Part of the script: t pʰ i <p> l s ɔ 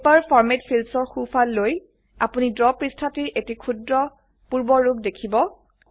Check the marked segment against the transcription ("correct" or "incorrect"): incorrect